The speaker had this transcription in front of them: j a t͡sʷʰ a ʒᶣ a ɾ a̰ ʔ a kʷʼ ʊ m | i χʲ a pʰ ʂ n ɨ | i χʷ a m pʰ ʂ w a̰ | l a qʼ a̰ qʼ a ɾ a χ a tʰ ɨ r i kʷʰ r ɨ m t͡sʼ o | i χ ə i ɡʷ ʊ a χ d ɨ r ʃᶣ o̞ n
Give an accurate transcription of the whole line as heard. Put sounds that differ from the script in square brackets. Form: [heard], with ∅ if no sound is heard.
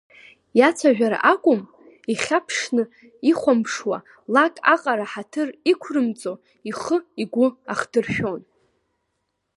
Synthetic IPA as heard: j a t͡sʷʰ a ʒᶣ a ɾ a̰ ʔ a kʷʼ ʊ m | i χʲ a pʰ ʂ n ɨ | i χʷ a m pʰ ʂ w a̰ | l a [kʼ] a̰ qʼ a ɾ a [ħ] a tʰ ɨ r i kʷʰ r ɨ m t͡sʼ o | i χ ə i ɡʷ ʊ a χ d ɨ r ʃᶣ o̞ n